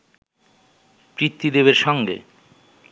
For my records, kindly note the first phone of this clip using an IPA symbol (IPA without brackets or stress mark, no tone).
p